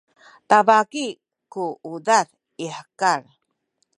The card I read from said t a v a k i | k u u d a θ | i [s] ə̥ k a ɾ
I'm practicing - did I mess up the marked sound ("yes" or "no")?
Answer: yes